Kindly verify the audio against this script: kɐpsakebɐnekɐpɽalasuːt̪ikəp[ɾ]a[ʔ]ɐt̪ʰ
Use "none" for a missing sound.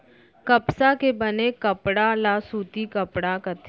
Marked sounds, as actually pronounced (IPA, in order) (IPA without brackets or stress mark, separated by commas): ɽ, k